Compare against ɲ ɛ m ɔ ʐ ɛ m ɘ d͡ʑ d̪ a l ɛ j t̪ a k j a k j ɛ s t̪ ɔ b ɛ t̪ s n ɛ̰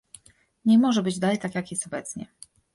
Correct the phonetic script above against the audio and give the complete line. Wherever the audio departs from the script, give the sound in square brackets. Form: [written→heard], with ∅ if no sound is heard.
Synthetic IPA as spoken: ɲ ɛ m ɔ ʐ ɛ [m→b] ɘ d͡ʑ d̪ a l ɛ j t̪ a k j a k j ɛ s t̪ ɔ b ɛ t̪ s [n→ɲ] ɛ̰